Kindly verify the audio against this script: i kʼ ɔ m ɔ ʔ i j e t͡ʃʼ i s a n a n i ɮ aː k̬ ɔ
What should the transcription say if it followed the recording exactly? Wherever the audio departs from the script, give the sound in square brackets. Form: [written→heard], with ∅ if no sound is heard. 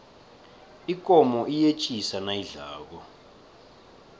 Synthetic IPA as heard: i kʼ ɔ m ɔ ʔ i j e t͡ʃʼ i s a n a [n→∅] i ɮ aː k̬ ɔ